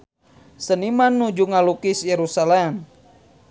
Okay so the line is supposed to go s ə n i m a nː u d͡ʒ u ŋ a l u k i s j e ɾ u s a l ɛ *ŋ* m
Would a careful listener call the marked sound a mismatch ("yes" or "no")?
yes